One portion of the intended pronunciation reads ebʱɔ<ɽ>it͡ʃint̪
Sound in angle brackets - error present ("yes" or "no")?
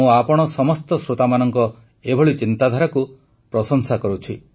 yes